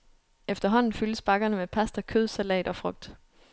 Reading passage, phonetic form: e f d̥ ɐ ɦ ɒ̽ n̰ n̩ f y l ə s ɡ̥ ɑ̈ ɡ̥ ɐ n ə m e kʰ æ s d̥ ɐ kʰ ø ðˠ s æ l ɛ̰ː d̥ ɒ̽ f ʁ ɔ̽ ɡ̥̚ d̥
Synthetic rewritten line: e f d̥ ɐ ɦ ɒ̽ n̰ n̩ f y l ə s b̥ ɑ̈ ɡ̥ ɐ n ə m e pʰ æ s d̥ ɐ kʰ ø ðˠ s æ l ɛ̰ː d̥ ɒ̽ f ʁ ɔ̽ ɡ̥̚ d̥